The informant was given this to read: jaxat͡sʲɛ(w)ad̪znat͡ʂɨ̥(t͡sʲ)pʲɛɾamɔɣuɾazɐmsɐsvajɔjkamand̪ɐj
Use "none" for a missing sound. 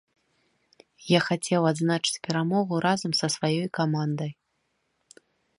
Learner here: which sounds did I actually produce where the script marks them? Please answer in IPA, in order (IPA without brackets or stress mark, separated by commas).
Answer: w, t͡sʲ